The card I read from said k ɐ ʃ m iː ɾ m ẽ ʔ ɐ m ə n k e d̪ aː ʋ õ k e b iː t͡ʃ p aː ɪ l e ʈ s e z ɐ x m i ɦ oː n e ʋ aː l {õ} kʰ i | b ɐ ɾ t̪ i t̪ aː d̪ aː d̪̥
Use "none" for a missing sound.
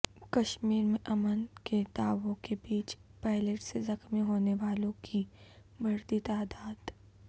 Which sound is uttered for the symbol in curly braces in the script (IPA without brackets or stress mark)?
õ